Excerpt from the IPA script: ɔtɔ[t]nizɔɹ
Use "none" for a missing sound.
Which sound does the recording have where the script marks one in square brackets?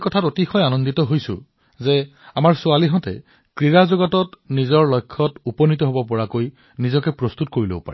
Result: t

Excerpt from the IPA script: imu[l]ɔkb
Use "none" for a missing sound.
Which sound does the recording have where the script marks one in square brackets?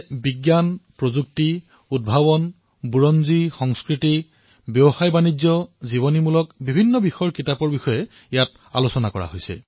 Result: l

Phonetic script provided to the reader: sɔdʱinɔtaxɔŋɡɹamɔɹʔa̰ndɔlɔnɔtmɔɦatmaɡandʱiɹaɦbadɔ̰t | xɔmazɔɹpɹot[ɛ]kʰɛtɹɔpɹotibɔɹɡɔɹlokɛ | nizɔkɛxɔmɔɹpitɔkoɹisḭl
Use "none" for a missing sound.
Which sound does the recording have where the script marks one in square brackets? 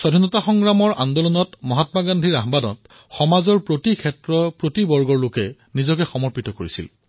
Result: i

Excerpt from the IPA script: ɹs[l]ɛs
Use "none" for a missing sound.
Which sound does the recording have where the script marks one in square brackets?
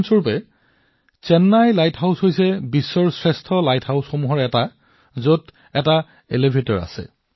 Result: ɹ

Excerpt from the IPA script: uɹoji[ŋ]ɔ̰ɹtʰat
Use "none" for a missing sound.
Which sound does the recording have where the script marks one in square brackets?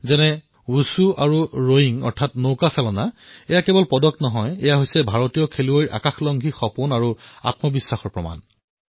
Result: ŋ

